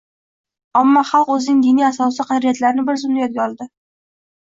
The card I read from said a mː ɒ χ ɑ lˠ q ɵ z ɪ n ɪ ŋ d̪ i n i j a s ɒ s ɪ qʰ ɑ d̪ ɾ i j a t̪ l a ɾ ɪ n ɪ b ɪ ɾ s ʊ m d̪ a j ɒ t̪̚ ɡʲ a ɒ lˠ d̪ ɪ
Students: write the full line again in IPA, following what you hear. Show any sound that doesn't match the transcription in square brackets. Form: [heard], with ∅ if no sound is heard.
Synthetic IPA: a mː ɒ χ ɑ lˠ q ɵ z ɪ n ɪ ŋ d̪ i n i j a s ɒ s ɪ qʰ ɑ d̪ ɾ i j a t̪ l a ɾ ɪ n ɪ b ɪ ɾ [z] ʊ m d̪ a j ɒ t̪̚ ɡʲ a ɒ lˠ d̪ ɪ